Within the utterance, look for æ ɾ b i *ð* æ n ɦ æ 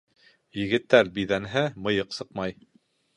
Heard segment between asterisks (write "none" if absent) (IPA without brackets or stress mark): ð